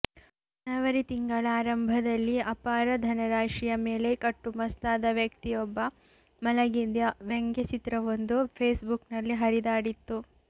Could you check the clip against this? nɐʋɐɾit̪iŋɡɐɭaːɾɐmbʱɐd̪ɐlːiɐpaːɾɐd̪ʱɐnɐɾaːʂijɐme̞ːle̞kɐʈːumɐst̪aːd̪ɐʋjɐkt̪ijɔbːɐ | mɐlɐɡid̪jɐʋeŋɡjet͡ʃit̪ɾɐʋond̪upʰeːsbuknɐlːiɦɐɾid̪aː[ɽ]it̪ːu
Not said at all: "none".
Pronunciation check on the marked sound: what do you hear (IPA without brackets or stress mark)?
ɽ